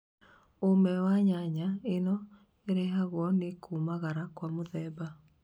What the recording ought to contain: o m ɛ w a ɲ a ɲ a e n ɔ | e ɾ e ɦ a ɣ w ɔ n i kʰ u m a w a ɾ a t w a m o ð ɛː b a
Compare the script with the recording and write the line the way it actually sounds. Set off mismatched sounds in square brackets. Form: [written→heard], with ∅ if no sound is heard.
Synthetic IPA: o m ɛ w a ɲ a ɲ a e n ɔ | e ɾ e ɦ a ɣ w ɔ n [i→e] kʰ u m a [w→ɣ] a ɾ a [t→k] w a m o ð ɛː b a